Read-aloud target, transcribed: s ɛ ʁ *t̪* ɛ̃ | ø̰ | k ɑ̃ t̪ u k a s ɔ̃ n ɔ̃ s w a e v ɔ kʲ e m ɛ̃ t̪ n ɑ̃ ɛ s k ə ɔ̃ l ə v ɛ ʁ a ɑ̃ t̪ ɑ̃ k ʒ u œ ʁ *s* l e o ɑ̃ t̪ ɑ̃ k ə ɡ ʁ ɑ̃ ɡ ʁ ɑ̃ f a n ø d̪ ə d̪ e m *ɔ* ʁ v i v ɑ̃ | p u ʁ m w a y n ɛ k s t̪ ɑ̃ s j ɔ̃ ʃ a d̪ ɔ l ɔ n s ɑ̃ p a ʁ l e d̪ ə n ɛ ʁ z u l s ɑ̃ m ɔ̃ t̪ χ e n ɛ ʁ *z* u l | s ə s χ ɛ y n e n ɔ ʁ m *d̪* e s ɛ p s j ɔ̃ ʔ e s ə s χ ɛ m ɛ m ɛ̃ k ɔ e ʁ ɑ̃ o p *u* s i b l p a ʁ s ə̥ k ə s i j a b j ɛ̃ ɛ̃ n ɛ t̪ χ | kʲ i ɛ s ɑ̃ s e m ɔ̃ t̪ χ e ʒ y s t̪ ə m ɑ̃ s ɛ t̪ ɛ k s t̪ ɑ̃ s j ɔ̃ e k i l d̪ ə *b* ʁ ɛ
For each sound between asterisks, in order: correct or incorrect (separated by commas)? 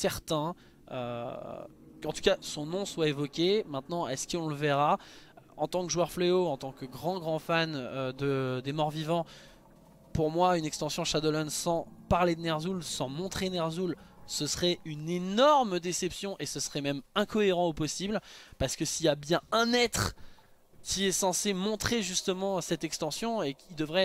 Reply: correct, incorrect, correct, correct, correct, incorrect, incorrect